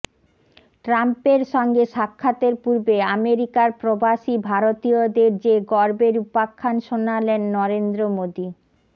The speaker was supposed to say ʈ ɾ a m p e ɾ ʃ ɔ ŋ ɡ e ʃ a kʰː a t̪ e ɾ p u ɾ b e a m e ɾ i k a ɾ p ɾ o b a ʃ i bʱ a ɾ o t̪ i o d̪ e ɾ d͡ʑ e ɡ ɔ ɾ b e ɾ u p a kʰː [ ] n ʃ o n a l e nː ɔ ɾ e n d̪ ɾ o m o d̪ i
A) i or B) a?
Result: B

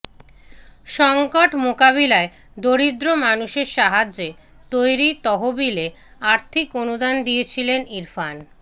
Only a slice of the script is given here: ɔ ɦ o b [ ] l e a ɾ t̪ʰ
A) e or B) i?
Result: B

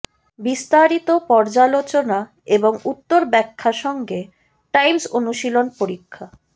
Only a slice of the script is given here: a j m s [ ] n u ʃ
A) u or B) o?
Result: B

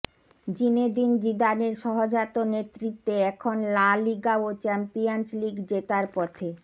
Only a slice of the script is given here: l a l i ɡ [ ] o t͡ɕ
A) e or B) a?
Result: B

